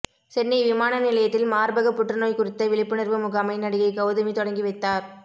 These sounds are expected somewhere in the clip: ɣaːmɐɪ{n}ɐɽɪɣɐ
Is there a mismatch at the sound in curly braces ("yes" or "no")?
no